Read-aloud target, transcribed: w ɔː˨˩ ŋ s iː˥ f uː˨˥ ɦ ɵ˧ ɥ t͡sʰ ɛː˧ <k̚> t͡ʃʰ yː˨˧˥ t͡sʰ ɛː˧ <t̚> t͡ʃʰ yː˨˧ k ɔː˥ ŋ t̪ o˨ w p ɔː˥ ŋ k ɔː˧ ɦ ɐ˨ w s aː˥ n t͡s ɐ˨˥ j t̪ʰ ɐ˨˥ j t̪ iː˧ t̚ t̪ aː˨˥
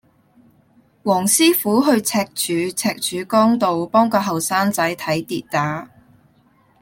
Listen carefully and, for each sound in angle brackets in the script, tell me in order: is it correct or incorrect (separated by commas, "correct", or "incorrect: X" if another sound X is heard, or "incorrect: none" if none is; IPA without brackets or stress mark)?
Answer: correct, incorrect: k̚